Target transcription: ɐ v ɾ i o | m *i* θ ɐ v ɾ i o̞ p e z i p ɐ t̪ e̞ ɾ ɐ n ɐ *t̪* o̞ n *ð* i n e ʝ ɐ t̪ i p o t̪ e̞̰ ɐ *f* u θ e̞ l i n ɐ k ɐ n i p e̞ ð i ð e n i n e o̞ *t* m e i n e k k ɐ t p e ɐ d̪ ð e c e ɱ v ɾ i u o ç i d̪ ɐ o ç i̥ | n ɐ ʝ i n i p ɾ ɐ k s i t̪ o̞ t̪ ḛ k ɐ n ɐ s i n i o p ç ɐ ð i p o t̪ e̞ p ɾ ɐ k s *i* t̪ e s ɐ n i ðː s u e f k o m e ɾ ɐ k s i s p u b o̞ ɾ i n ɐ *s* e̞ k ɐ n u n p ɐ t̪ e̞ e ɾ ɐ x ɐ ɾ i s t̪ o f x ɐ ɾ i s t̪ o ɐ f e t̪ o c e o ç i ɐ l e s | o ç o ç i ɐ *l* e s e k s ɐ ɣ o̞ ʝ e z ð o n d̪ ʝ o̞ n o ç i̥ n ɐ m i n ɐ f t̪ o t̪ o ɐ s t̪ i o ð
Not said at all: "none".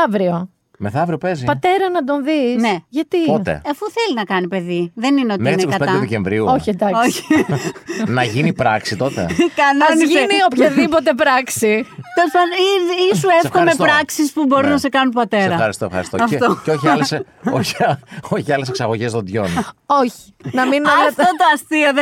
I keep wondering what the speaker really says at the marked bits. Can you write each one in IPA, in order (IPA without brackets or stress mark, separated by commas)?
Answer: e, d̪, ð, f, t, i, s, l